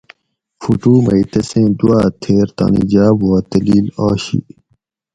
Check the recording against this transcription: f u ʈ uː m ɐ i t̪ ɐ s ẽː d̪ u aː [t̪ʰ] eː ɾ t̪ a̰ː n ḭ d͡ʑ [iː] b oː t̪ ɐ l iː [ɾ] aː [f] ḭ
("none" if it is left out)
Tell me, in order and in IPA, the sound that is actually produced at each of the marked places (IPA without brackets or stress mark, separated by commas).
t̪ʰ, aː, l, ɕ